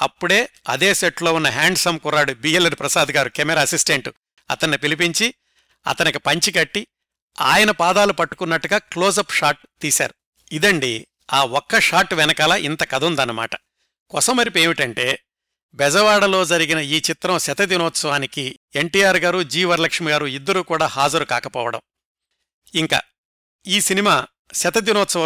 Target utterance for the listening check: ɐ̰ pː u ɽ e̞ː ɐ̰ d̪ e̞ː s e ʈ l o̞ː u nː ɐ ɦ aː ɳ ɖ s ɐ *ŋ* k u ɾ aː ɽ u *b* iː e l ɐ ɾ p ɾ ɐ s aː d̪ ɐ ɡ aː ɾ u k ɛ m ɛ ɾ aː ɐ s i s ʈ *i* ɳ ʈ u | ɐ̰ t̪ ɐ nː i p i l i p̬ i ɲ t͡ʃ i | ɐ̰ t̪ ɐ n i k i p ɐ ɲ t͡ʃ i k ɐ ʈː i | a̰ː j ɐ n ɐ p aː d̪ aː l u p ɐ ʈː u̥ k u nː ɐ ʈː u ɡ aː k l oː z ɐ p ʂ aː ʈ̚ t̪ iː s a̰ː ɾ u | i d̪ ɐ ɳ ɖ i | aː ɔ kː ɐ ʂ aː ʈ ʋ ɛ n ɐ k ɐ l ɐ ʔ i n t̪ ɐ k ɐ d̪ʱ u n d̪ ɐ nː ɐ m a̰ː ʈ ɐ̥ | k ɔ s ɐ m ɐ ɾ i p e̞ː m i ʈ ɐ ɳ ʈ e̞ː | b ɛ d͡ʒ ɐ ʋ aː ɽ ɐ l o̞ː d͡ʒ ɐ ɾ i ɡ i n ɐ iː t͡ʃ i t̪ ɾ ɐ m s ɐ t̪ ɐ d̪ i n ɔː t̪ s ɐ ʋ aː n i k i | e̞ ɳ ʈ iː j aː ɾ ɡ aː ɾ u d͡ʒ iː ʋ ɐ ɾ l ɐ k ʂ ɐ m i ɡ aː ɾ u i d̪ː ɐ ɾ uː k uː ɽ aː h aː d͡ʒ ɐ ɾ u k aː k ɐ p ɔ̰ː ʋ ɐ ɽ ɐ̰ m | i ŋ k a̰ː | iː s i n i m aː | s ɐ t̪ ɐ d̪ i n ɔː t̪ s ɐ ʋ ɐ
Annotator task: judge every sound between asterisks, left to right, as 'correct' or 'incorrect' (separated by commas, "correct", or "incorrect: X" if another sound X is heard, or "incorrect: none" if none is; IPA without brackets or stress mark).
incorrect: m, correct, incorrect: e